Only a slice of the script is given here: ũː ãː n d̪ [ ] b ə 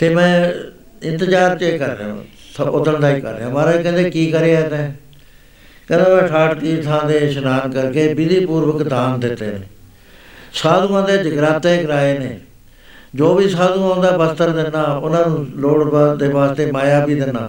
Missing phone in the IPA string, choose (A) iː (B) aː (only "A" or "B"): B